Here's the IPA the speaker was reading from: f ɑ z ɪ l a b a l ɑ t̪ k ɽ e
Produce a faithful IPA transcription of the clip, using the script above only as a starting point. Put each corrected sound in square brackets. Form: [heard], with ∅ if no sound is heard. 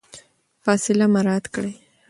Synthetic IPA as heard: f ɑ [s] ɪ l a [m] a [ɾ] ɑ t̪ k ɽ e